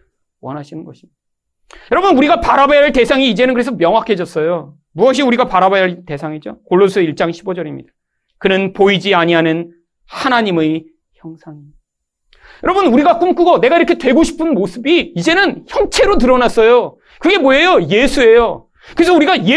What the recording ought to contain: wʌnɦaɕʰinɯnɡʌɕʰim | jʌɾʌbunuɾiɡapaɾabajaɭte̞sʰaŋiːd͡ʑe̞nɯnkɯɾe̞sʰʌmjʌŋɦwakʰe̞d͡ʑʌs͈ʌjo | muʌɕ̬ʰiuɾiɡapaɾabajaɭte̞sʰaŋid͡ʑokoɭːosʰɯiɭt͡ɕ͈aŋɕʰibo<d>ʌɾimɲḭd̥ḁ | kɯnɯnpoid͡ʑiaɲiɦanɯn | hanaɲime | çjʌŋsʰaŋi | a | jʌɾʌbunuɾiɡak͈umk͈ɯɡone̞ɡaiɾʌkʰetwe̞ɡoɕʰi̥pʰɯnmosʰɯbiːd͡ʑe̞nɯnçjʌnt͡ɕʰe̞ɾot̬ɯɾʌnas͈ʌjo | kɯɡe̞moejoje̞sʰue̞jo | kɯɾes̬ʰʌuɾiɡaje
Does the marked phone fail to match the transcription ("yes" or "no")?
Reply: yes